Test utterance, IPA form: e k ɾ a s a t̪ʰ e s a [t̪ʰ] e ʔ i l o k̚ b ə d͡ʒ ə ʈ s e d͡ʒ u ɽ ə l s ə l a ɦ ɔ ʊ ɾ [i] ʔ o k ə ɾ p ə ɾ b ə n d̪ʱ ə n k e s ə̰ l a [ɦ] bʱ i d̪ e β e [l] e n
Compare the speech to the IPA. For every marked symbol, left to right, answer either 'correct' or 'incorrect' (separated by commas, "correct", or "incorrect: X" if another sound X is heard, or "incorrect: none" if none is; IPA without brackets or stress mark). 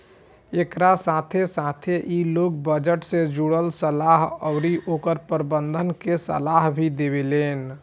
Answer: correct, correct, correct, correct